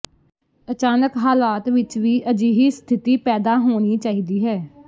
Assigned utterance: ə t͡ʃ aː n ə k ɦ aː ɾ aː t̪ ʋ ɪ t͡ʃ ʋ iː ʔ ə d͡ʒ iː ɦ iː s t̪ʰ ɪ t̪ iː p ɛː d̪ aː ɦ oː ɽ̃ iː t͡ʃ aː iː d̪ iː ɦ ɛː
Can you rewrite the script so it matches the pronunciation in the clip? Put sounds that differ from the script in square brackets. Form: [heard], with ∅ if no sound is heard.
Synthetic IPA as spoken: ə t͡ʃ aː n ə k ɦ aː [l] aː t̪ ʋ ɪ t͡ʃ ʋ iː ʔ ə d͡ʒ iː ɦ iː s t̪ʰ ɪ t̪ iː p ɛː d̪ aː ɦ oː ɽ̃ iː t͡ʃ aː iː d̪ iː ɦ ɛː